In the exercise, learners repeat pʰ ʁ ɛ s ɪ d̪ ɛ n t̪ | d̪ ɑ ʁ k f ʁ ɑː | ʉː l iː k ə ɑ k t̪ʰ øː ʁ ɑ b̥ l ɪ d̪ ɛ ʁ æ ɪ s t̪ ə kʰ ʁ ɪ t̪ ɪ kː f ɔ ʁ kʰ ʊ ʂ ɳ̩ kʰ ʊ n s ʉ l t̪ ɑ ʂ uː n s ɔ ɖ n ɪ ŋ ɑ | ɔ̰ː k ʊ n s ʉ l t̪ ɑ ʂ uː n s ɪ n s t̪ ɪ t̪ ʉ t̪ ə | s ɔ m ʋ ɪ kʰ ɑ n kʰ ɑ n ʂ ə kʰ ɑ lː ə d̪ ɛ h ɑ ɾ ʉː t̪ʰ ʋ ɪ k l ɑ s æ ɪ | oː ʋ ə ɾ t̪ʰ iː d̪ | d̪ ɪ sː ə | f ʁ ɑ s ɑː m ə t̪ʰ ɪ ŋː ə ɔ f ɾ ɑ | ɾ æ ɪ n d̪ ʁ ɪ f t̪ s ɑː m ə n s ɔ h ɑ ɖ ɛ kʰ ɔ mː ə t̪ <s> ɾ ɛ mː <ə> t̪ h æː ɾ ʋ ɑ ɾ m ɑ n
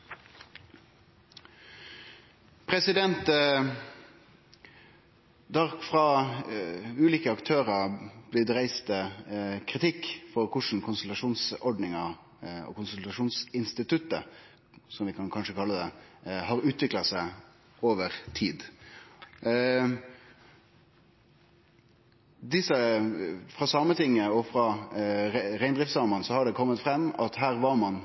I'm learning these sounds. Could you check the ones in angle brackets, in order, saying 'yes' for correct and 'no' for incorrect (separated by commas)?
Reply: no, no